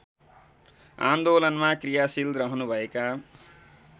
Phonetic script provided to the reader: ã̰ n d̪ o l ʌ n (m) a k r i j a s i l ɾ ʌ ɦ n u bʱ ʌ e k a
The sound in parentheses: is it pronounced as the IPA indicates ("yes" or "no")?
yes